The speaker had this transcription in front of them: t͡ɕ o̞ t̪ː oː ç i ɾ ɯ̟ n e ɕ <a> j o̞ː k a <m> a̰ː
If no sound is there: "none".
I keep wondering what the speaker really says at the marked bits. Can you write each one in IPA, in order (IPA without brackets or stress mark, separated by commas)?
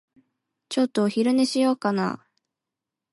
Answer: i, n